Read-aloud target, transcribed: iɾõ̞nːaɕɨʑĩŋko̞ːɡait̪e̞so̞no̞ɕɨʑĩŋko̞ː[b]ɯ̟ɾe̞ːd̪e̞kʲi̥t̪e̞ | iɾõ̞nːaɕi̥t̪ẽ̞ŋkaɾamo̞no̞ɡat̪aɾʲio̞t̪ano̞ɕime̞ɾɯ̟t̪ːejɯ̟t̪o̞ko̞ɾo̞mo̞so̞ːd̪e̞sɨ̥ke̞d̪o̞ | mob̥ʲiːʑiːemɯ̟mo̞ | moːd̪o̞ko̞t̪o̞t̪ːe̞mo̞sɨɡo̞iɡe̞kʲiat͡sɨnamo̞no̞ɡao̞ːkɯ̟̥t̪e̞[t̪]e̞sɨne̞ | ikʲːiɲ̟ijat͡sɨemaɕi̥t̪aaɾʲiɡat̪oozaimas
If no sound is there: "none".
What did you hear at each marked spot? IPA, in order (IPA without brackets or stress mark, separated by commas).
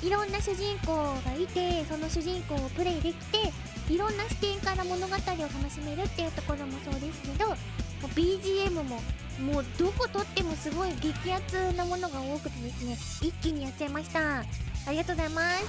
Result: p, d̪